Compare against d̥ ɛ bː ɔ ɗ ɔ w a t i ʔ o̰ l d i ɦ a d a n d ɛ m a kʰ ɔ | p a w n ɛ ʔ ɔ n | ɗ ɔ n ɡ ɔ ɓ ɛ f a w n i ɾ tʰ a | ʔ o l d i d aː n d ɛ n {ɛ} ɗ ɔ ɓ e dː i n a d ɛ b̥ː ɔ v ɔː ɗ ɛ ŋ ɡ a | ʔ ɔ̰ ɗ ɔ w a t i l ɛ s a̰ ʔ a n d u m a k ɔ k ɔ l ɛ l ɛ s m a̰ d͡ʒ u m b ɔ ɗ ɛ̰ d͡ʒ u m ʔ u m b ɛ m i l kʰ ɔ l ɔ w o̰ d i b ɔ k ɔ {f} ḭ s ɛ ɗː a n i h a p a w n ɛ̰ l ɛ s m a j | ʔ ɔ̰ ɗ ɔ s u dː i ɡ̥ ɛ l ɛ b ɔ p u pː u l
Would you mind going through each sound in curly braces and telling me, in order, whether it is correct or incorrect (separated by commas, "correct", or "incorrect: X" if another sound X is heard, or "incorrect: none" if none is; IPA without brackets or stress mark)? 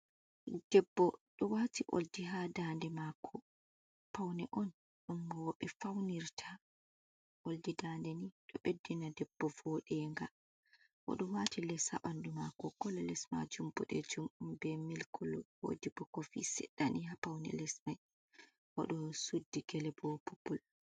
incorrect: i, correct